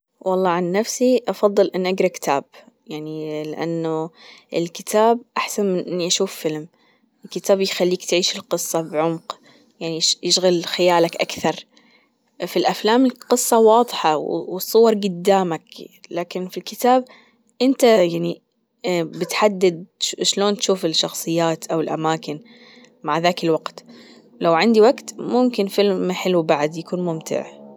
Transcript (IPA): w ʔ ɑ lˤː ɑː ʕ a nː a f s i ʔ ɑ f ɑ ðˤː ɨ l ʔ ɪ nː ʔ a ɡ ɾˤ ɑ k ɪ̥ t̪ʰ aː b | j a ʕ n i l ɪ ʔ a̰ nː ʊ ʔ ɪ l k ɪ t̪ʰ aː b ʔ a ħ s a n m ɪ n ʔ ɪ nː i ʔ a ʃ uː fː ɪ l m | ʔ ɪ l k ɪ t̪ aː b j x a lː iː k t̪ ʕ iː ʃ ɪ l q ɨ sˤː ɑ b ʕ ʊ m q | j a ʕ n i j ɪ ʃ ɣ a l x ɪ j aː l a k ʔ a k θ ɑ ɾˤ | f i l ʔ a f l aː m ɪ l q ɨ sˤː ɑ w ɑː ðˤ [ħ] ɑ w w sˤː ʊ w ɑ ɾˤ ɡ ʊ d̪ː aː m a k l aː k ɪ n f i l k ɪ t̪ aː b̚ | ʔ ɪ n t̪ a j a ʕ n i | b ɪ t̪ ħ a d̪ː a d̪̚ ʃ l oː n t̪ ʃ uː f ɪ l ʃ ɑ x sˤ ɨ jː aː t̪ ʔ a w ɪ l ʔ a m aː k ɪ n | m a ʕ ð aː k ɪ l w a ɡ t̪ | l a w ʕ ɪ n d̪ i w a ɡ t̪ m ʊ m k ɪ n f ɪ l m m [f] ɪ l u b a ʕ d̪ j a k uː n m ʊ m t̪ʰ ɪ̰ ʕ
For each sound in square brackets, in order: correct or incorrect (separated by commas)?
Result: correct, incorrect